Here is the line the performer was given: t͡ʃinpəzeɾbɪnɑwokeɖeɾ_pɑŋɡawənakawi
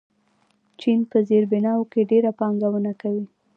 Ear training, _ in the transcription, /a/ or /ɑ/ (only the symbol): a